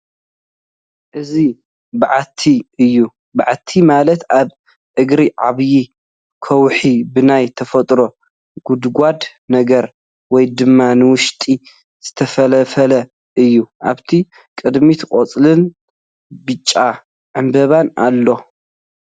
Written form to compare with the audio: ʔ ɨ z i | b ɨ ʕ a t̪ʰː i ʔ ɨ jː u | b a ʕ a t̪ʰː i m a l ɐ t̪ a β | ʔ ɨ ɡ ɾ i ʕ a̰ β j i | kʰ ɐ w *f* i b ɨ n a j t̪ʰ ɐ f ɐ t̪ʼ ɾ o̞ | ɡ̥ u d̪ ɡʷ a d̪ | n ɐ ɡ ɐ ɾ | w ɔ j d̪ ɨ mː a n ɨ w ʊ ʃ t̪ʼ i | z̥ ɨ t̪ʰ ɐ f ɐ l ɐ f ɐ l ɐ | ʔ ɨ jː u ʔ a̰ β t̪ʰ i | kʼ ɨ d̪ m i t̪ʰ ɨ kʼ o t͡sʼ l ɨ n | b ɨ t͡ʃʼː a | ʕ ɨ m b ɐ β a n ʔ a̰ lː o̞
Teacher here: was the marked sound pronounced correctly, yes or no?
no